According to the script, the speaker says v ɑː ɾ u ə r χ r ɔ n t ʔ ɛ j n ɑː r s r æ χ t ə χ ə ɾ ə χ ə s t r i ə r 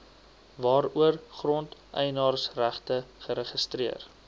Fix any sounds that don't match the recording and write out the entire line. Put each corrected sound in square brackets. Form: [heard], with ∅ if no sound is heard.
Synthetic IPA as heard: v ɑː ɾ u ə r χ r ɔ n t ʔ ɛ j n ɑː r s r æ χ t ə χ ə ɾ ə χ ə s t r i ə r